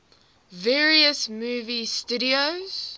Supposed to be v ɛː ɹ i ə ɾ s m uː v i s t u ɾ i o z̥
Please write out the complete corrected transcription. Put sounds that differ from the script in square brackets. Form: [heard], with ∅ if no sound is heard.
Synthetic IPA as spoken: v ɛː ɹ i ə [∅] s m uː v i s t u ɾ i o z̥